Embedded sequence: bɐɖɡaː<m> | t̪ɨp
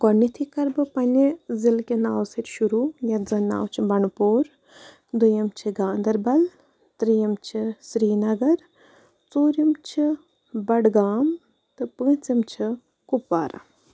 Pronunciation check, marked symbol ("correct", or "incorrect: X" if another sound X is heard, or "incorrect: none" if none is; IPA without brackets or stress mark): correct